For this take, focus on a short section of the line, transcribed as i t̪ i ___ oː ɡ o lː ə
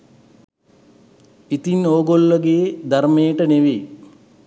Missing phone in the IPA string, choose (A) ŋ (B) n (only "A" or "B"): B